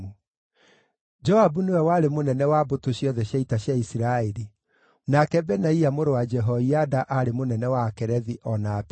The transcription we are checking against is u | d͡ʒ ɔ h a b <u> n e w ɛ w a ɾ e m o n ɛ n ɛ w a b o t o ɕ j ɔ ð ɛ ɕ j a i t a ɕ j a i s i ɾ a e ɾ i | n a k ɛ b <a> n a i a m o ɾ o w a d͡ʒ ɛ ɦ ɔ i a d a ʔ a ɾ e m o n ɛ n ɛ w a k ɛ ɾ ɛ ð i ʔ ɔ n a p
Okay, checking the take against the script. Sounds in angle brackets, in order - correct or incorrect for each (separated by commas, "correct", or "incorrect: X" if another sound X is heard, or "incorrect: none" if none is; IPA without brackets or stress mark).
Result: correct, incorrect: ɛ